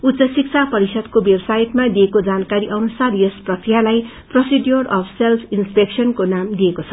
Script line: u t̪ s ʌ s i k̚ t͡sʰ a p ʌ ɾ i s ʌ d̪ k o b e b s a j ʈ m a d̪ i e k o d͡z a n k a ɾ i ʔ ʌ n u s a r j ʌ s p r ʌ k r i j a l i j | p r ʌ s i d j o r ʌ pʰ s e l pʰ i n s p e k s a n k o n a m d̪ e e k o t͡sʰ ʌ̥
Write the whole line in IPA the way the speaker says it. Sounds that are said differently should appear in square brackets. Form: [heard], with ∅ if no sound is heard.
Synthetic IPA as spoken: u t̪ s ʌ s i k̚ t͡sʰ a p ʌ ɾ i s ʌ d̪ k o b e b s a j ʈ m a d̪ i e k o d͡z a n k a ɾ i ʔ ʌ n u s a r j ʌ s p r ʌ k r i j a l [a] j | p r ʌ s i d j o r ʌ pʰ s e l pʰ i n s p e k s [ʌ] n k o n a m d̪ [i] e k o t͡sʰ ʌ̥